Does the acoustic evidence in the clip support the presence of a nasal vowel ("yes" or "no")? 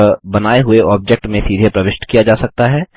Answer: yes